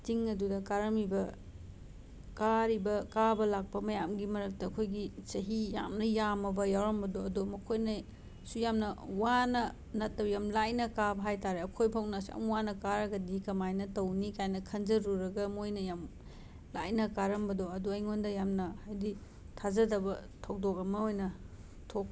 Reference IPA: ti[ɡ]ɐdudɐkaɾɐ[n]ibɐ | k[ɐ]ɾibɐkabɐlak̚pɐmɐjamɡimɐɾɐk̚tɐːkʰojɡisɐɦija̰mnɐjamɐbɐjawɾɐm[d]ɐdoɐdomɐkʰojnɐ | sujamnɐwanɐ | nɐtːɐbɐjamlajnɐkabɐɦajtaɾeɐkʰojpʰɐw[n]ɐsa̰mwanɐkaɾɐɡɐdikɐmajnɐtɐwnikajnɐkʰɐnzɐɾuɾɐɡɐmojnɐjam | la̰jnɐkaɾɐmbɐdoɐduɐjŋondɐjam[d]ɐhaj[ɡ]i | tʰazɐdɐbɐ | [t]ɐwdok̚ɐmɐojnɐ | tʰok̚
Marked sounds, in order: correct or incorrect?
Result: incorrect, incorrect, incorrect, incorrect, correct, incorrect, incorrect, incorrect

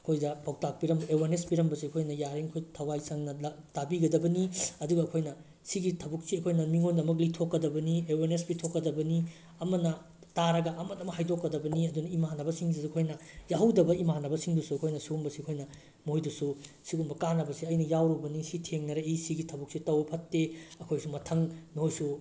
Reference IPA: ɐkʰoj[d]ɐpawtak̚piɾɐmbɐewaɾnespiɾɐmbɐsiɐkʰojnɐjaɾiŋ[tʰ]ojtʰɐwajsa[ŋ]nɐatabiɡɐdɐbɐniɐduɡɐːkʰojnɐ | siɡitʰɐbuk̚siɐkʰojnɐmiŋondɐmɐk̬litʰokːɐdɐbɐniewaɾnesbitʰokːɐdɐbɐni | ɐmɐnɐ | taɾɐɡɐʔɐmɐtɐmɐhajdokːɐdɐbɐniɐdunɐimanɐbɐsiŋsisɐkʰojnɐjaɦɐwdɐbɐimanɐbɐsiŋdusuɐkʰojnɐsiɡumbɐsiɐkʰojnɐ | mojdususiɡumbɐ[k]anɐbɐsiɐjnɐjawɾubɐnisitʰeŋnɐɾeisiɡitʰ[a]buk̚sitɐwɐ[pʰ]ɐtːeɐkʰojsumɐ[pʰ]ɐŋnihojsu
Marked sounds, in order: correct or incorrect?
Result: correct, incorrect, correct, correct, incorrect, correct, incorrect

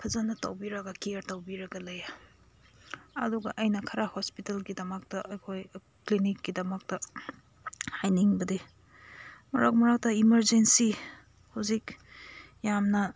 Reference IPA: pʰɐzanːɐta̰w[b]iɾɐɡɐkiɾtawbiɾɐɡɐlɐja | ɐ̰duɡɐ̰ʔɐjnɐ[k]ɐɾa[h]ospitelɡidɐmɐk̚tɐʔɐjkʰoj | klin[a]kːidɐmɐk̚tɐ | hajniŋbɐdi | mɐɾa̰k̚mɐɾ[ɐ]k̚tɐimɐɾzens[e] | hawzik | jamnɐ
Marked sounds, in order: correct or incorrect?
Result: correct, incorrect, correct, incorrect, incorrect, incorrect

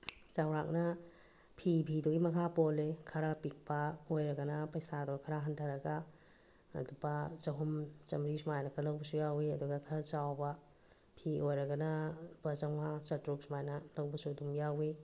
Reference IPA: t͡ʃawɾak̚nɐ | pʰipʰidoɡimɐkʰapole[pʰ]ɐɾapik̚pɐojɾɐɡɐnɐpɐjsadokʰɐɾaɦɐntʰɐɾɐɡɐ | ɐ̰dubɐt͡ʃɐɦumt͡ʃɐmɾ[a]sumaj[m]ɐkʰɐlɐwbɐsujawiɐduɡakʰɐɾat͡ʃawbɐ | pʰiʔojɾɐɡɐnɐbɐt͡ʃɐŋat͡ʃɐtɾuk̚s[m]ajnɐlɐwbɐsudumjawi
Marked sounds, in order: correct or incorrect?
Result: incorrect, incorrect, incorrect, correct

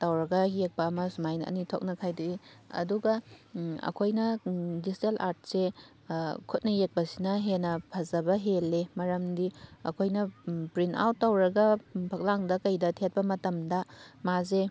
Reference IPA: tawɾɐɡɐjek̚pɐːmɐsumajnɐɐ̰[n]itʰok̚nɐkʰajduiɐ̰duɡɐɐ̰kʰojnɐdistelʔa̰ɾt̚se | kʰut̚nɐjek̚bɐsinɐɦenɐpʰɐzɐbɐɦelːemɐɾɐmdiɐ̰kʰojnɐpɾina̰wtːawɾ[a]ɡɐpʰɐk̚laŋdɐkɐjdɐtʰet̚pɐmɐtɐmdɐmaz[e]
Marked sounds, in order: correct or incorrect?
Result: correct, incorrect, correct

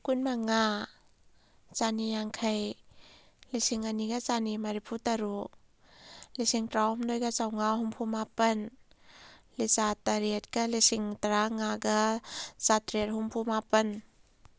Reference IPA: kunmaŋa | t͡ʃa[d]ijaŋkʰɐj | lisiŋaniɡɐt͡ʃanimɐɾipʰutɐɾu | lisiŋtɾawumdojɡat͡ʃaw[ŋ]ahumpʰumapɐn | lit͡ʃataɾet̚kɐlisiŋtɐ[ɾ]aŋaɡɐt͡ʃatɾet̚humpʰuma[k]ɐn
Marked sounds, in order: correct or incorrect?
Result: incorrect, correct, correct, incorrect

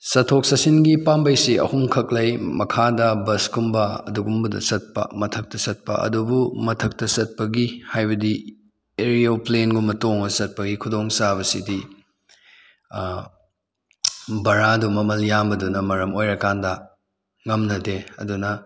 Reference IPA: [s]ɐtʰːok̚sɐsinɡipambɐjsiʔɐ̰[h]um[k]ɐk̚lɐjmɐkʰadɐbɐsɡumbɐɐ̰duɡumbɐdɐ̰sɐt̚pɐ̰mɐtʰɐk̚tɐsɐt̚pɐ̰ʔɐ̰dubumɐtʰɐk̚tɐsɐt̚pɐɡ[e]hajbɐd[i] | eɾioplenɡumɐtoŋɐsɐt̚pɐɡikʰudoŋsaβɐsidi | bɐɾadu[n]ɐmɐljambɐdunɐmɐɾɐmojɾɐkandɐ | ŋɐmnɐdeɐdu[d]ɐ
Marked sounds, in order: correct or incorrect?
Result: correct, correct, incorrect, incorrect, correct, incorrect, incorrect

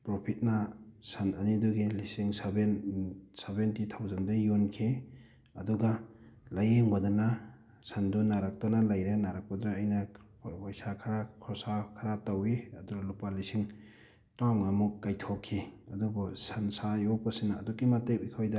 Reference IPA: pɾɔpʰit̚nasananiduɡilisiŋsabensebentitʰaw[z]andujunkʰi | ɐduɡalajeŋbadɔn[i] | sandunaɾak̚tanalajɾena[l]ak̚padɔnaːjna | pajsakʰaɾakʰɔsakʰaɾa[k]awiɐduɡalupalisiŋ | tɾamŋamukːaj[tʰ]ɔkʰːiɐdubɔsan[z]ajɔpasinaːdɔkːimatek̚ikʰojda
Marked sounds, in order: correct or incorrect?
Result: correct, incorrect, incorrect, incorrect, correct, incorrect

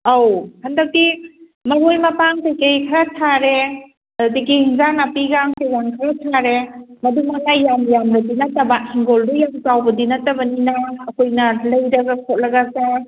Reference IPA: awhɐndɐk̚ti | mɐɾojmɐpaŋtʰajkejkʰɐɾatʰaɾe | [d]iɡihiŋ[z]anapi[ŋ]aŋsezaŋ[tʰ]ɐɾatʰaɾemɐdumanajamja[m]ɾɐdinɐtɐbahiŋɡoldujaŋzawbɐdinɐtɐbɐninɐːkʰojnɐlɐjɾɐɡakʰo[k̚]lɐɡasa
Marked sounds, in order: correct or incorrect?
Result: correct, correct, incorrect, incorrect, correct, incorrect

